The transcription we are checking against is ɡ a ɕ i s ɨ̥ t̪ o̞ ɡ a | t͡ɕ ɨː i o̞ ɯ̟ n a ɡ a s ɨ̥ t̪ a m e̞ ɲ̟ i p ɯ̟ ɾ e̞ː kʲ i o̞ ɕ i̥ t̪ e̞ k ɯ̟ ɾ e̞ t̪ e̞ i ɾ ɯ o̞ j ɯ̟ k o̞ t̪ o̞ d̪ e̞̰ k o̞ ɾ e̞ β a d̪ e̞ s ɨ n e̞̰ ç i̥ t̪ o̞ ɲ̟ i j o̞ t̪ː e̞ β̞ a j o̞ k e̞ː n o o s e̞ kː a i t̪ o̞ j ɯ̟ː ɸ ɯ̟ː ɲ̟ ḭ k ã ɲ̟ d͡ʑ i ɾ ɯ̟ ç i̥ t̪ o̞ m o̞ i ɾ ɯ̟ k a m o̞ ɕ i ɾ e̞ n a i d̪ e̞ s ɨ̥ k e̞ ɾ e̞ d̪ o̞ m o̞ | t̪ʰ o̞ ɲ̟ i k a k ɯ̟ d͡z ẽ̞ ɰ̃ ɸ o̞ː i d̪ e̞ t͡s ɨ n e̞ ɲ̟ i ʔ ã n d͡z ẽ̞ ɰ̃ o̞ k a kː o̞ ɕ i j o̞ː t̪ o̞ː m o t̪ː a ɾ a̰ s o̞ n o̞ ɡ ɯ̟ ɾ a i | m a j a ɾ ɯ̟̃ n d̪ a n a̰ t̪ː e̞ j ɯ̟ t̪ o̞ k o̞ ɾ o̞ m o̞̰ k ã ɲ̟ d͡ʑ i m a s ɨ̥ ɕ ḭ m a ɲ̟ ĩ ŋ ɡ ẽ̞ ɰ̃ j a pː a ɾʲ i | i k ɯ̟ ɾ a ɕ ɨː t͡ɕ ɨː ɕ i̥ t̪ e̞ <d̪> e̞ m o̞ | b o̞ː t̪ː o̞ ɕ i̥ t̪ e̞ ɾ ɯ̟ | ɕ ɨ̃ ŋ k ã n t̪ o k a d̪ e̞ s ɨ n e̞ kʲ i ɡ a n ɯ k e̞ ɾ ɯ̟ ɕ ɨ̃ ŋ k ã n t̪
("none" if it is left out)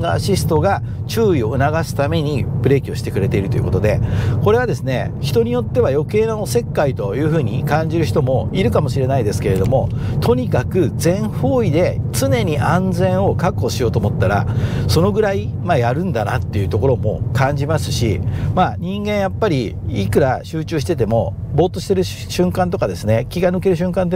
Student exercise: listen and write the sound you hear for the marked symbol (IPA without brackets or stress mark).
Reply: t̪